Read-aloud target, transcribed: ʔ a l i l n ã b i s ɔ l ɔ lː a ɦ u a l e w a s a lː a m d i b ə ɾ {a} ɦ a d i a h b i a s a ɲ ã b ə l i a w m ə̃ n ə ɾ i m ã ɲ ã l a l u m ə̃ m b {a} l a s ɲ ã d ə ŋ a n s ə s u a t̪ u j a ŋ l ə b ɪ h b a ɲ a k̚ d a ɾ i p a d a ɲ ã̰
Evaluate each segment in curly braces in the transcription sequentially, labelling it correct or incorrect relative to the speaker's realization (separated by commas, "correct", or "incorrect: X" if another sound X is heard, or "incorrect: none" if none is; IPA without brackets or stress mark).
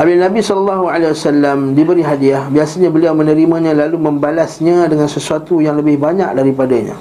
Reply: incorrect: i, correct